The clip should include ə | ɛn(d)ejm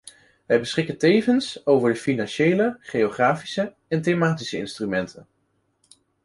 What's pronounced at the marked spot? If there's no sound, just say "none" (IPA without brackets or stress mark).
t